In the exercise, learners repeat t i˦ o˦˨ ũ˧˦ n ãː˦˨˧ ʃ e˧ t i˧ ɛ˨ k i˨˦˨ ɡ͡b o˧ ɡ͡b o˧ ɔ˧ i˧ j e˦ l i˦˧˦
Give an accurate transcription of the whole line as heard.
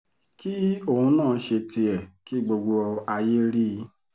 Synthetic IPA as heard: k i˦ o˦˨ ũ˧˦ n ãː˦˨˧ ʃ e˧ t i˧ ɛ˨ k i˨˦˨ ɡ͡b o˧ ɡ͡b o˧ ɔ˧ a˧ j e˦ ɾ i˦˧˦